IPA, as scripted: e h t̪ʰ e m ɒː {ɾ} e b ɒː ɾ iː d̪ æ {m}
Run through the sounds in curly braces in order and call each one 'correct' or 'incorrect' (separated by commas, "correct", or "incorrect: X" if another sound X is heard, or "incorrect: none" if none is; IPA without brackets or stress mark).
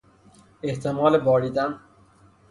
incorrect: l, incorrect: n